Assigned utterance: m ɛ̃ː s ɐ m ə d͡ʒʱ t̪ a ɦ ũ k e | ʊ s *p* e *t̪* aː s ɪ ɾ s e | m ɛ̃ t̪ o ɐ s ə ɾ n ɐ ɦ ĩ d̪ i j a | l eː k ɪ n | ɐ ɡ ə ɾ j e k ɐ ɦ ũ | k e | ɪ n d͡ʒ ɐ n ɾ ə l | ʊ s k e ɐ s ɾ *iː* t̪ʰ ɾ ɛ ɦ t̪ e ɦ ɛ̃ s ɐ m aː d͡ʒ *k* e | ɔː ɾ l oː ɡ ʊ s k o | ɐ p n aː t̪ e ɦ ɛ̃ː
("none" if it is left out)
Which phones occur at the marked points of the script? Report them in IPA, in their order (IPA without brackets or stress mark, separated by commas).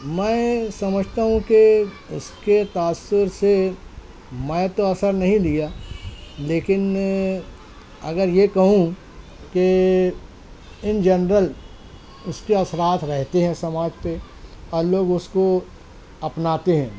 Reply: k, t̪, aː, p